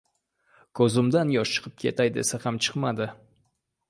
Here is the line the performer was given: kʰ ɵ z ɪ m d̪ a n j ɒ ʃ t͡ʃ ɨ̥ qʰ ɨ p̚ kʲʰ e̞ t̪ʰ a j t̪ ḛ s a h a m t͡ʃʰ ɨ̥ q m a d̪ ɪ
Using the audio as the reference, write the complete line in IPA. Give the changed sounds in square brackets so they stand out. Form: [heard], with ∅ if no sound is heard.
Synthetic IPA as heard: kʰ ɵ z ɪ m d̪ a n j ɒ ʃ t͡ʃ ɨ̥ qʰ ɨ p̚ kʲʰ e̞ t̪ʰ a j [d̪] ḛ s a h a m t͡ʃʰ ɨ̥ q m a d̪ ɪ